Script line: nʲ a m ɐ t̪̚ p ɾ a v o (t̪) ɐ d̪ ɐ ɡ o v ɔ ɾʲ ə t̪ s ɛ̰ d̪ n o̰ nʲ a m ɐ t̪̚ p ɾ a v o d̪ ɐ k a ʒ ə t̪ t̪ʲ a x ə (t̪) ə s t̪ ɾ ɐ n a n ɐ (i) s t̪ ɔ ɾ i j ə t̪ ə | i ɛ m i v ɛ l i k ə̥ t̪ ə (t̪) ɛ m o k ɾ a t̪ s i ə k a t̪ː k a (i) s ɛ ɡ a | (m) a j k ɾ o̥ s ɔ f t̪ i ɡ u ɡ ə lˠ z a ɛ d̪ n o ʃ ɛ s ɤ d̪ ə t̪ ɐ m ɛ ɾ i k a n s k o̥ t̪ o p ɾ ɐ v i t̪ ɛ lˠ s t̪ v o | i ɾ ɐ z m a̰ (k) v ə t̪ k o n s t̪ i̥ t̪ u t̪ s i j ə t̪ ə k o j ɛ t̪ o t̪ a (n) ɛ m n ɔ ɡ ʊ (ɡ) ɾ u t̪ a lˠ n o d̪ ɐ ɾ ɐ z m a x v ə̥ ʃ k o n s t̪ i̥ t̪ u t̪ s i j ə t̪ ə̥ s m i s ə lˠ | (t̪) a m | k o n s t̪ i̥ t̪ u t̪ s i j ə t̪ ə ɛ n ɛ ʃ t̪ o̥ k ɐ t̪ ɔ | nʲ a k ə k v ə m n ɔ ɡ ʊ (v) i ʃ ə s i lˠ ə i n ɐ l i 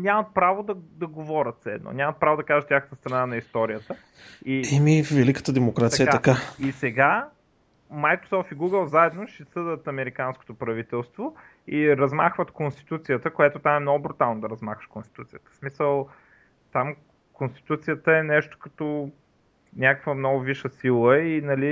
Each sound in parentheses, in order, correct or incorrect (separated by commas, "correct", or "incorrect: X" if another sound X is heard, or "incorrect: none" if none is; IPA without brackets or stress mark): incorrect: d̪, correct, correct, incorrect: d̪, correct, correct, incorrect: x, incorrect: m, incorrect: b, correct, correct